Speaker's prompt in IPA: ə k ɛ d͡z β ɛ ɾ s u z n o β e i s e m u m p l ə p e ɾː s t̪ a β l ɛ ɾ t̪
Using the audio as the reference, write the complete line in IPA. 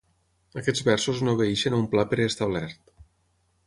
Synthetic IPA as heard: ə k ɛ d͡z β ɛ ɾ s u z n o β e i ʃ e n u m p l a p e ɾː s t̪ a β l ɛ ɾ t̪